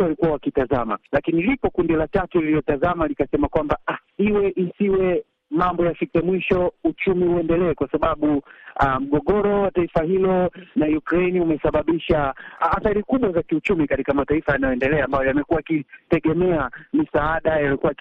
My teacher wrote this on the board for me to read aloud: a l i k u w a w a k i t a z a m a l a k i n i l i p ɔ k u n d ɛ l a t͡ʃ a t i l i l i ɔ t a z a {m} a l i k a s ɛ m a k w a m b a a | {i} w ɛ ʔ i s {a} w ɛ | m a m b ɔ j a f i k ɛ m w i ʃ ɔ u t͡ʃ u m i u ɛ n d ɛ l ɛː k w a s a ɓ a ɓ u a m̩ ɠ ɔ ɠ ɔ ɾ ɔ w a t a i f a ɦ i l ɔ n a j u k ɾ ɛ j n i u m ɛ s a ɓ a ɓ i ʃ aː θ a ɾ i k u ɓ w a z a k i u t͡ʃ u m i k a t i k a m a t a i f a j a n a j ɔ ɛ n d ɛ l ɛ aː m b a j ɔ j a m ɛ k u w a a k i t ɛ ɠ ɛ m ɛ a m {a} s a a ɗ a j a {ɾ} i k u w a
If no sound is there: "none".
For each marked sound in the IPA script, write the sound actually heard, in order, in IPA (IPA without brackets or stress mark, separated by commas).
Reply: m, i, i, i, l